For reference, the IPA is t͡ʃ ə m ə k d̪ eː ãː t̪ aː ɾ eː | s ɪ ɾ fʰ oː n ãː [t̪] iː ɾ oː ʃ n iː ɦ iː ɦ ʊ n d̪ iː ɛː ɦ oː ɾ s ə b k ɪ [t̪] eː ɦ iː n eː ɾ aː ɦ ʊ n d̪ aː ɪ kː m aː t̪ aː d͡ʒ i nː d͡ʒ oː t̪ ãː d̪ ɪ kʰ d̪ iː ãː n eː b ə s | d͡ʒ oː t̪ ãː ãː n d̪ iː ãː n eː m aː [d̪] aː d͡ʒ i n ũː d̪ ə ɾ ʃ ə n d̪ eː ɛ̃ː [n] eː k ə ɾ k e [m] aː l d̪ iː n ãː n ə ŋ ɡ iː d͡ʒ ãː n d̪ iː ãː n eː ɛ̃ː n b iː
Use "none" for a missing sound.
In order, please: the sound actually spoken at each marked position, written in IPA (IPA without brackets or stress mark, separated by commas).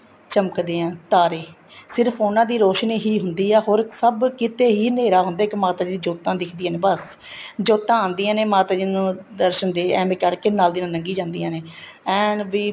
d̪, t̪, t̪, m, n